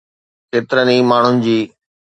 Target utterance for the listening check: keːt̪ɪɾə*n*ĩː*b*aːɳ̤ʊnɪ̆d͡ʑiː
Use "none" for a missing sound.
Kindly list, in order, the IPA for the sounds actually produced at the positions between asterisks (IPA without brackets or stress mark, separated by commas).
n, m